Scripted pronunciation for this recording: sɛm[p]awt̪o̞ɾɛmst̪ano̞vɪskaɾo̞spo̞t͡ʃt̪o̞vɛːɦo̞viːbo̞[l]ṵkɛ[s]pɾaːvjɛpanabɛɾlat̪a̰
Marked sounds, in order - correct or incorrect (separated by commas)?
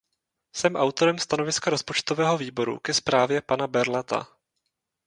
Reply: incorrect, incorrect, correct